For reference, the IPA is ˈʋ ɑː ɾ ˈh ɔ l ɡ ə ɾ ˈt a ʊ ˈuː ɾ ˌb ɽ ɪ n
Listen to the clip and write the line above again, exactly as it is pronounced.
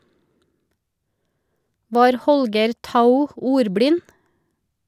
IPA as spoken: ˈʋ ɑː ɾ ˈh ɔ l ɡ ə ɾ ˈt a ʊ ˈuː ɾ ˌb ɽ ɪ n